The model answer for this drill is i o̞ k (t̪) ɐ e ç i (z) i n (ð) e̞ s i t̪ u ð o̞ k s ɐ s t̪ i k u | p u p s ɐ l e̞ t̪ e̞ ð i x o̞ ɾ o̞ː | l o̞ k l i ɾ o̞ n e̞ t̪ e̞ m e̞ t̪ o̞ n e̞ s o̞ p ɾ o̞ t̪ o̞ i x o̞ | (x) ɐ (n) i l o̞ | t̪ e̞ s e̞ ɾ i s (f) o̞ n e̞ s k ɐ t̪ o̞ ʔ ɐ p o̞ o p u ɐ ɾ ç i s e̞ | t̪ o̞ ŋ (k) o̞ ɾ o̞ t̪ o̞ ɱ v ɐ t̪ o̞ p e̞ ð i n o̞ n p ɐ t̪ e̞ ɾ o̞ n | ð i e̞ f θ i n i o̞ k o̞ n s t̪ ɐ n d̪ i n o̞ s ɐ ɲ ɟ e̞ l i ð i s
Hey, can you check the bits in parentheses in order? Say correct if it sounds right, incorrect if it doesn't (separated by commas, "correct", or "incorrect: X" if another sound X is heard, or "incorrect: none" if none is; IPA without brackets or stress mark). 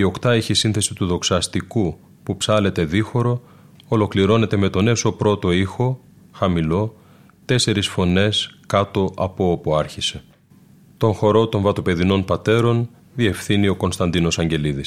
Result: correct, incorrect: s, incorrect: θ, correct, incorrect: m, correct, incorrect: x